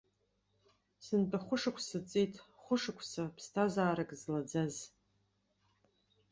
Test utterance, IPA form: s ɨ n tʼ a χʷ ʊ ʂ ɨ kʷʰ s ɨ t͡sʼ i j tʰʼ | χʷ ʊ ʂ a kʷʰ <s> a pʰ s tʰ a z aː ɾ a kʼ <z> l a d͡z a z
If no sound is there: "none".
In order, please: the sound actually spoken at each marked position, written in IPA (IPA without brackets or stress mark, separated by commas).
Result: s, z